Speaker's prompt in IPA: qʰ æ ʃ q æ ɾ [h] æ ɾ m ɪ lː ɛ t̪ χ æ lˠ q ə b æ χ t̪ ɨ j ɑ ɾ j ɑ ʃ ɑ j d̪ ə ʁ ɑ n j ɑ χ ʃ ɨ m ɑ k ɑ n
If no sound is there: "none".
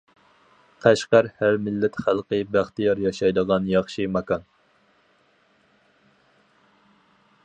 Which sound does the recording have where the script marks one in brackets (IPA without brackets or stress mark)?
h